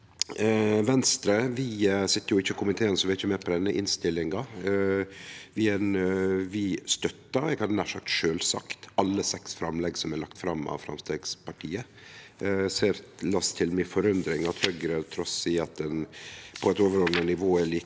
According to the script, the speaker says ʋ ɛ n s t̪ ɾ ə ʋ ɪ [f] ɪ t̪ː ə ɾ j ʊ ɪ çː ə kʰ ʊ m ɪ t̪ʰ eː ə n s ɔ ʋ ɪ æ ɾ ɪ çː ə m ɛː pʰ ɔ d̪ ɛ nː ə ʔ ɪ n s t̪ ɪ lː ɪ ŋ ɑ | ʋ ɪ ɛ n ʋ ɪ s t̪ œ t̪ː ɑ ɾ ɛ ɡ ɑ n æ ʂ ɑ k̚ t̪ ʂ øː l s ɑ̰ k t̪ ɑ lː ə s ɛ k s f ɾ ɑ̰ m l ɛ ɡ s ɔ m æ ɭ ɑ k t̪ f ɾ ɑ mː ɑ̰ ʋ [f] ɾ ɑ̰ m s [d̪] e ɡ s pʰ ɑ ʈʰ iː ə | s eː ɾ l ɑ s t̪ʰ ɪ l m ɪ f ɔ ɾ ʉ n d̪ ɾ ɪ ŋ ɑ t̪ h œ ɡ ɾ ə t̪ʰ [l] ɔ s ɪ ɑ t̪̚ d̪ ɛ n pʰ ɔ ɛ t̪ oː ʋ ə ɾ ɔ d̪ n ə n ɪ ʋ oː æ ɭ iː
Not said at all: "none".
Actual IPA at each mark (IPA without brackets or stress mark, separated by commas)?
s, f, t̪, ɾ